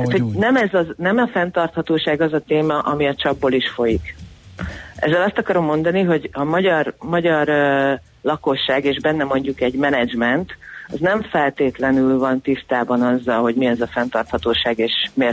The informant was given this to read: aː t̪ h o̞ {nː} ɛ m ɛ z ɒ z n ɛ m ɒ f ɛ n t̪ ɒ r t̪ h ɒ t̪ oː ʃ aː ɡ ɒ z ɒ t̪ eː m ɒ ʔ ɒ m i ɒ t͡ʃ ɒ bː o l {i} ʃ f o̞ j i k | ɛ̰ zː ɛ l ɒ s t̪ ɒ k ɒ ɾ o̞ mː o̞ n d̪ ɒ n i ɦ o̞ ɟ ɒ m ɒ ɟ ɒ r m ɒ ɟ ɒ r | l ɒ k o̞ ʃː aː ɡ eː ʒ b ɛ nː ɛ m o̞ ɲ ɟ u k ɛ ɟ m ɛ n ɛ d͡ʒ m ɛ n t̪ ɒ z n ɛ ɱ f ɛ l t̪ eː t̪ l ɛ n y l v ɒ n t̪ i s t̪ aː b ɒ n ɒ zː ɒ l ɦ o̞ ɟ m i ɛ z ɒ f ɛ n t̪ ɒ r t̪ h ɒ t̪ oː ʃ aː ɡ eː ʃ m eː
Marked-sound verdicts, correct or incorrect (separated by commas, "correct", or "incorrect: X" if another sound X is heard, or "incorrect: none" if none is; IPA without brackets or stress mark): incorrect: n, correct